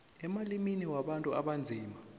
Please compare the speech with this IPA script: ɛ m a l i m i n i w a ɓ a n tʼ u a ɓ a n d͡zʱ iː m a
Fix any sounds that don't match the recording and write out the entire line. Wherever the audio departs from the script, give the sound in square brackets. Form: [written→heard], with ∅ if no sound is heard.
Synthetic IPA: ɛ m a l i m i n i w a ɓ a n tʼ u a ɓ a n d͡zʱ iː m a